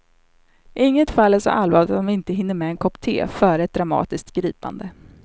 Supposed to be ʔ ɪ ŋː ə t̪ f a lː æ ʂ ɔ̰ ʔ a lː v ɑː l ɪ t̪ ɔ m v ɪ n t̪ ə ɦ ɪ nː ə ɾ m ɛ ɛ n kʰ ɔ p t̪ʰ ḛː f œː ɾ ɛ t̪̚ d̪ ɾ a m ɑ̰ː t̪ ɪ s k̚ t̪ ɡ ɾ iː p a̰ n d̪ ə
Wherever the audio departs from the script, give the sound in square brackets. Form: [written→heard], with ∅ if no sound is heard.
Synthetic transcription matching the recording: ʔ ɪ ŋː ə t̪ f a lː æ ʂ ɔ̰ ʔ a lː v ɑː l ɪ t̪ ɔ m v ɪ n t̪ ə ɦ ɪ nː ə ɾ m ɛ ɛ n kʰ ɔ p t̪ʰ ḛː f œː ɾ ɛ t̪̚ d̪ ɾ a m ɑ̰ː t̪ ɪ s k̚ t̪ ɡ ɾ iː p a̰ n d̪ ə